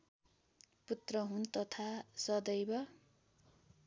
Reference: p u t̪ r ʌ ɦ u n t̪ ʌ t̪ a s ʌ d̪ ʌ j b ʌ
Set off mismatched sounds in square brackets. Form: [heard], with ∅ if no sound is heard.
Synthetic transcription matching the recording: p u t̪ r ʌ ɦ u n t̪ ʌ [t̪ʰ] a s ʌ d̪ ʌ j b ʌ